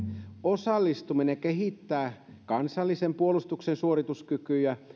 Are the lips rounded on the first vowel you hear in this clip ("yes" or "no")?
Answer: yes